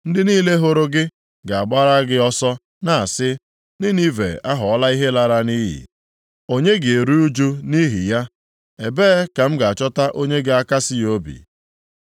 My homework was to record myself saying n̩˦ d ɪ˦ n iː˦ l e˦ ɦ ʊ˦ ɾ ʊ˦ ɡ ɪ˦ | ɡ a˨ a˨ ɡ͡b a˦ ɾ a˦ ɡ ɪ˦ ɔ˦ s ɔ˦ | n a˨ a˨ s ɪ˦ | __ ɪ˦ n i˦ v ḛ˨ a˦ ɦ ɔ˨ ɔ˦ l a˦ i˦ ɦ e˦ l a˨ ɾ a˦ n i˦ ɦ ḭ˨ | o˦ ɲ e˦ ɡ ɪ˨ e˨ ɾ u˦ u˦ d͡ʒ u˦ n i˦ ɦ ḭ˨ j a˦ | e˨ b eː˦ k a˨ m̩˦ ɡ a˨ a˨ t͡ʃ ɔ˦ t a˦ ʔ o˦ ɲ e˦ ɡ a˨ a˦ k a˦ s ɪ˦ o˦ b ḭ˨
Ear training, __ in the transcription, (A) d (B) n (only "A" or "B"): B